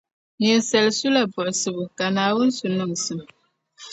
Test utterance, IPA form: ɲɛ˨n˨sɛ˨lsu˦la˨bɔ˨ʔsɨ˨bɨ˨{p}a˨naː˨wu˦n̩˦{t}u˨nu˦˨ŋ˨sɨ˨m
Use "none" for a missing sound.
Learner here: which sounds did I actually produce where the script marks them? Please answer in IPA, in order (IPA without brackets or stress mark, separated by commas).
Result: k, s